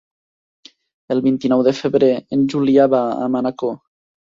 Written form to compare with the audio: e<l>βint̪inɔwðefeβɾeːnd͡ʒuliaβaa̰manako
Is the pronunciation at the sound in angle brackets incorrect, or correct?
correct